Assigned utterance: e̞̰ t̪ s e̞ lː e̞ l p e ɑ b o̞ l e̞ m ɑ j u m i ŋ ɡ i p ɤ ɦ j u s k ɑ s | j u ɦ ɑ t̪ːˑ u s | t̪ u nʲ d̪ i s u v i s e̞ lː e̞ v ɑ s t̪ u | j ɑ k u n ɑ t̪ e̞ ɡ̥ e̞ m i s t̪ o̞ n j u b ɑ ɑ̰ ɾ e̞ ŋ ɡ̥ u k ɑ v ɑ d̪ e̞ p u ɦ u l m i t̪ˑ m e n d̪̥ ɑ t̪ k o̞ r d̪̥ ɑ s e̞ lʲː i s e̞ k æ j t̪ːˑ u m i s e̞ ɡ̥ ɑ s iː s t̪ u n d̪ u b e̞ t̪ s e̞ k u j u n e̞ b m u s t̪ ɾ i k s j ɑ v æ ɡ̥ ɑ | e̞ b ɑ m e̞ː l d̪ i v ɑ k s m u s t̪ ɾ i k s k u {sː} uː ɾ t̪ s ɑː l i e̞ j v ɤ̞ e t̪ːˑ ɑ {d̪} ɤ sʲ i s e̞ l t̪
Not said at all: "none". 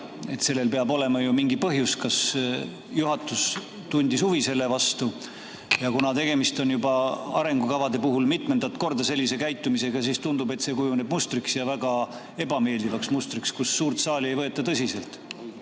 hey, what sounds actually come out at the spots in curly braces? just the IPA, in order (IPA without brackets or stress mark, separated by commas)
sː, t̪